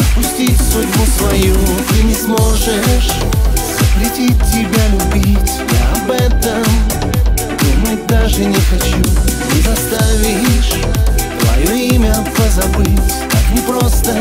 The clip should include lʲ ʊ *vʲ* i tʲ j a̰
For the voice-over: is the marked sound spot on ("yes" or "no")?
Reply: no